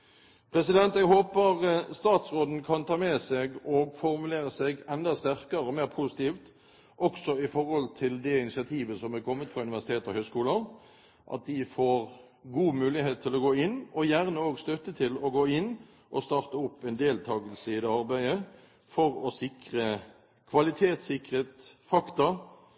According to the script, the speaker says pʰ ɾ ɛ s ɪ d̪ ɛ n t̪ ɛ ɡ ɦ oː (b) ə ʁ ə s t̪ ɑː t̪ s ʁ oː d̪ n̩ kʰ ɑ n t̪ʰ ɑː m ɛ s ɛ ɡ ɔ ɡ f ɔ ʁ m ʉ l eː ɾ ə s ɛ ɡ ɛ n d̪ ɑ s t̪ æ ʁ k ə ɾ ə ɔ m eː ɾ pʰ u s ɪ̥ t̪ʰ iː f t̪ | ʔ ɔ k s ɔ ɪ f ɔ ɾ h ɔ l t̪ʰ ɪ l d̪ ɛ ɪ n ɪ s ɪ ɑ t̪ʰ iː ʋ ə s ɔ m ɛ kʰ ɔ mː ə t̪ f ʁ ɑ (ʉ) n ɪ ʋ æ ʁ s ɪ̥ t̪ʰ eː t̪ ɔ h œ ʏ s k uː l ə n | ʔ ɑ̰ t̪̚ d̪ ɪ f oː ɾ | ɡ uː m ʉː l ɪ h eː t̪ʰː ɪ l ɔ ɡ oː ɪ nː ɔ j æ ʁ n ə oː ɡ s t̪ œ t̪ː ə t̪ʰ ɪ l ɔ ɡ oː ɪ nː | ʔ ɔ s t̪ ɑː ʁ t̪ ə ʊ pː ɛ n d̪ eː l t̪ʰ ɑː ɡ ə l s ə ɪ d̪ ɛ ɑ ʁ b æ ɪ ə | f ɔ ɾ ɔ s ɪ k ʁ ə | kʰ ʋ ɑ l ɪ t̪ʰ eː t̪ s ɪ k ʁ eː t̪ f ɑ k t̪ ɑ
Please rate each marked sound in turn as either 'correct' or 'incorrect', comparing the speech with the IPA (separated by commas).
incorrect, correct